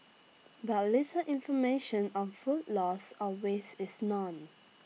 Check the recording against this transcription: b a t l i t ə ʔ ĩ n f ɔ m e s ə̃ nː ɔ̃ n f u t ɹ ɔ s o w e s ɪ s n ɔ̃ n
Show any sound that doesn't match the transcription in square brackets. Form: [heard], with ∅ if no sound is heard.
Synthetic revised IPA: b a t l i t ə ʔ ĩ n f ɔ m e [ʃ] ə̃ [n] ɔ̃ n f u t [l] ɔ s [ɔ] w e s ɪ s n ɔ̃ n